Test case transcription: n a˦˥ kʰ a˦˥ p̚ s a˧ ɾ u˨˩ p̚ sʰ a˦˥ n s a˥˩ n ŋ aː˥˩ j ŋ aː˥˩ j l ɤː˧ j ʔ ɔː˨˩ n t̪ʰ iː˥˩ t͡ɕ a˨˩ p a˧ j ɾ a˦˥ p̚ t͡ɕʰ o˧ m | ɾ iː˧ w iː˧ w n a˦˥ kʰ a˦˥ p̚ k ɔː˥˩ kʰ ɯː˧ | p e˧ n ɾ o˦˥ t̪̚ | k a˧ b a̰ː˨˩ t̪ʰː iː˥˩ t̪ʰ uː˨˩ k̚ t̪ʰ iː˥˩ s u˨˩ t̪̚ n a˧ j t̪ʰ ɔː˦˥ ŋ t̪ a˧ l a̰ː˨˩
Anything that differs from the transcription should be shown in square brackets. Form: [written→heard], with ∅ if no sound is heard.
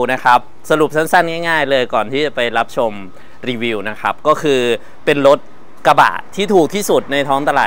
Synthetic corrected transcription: n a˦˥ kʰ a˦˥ p̚ s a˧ ɾ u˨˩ p̚ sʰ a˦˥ n s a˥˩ n ŋ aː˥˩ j ŋ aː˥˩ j l ɤː˧ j [ʔ→k] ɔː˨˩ n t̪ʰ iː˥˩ t͡ɕ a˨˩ p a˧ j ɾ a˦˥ p̚ t͡ɕʰ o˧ m | ɾ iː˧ w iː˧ w n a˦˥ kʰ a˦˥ p̚ k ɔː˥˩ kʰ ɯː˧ | p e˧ n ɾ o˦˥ t̪̚ | k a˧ b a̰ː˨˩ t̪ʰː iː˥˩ t̪ʰ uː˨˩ k̚ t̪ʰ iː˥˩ s u˨˩ t̪̚ n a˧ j t̪ʰ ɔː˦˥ ŋ t̪ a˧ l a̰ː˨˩